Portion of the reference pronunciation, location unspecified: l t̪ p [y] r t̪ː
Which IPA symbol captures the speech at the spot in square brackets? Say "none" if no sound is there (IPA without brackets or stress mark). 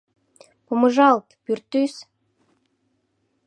y